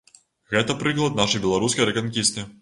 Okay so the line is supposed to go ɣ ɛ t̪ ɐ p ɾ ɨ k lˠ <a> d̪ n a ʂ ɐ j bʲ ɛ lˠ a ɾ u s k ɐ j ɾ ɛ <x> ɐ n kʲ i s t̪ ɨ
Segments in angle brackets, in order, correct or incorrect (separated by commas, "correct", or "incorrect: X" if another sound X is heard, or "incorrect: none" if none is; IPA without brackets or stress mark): incorrect: ɐ, incorrect: k